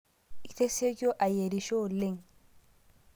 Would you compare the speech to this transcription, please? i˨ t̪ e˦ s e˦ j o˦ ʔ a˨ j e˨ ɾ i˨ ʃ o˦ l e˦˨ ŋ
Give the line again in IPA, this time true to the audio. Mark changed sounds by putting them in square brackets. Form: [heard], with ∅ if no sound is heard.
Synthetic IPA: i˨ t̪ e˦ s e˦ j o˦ ʔ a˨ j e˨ ɾ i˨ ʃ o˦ l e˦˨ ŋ